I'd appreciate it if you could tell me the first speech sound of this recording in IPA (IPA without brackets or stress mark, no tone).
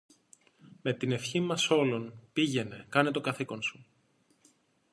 m